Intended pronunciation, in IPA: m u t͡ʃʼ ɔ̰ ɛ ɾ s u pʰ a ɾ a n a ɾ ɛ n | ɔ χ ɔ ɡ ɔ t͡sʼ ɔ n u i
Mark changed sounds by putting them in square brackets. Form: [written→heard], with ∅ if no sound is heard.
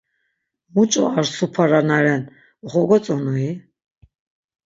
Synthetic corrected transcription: m u t͡ʃʼ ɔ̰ [ɛ→a] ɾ s u pʰ a ɾ a n a ɾ ɛ n | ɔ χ ɔ ɡ ɔ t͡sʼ ɔ n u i